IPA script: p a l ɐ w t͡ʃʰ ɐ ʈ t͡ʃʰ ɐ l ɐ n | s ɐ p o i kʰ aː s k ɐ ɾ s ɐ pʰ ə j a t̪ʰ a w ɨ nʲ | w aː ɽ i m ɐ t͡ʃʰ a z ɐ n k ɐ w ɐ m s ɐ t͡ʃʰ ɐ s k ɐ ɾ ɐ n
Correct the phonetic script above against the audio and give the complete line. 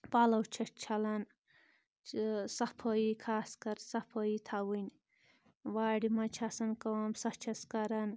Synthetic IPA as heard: p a l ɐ w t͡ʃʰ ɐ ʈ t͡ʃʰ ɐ l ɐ n | s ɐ pʰ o i kʰ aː s k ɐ ɾ s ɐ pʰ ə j i t̪ʰ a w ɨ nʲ | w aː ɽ i m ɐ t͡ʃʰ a s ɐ n k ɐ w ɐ m s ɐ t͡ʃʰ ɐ s k ɐ ɾ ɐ n